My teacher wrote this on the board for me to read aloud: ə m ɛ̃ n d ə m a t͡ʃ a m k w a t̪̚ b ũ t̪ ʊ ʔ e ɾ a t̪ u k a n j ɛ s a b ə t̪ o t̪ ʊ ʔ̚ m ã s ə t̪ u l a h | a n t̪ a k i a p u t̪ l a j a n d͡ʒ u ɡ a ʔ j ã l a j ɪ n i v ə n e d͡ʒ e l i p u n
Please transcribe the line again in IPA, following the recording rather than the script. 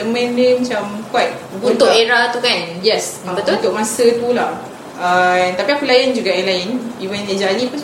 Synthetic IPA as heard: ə m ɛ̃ n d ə m a t͡ʃ a m k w a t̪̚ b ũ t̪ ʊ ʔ e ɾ a t̪ u k a n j ɛ s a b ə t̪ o t̪ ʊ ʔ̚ m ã s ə t̪ u l a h | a n t̪ a p i a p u l a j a n d͡ʒ u ɡ a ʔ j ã l a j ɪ n i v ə n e d͡ʒ a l i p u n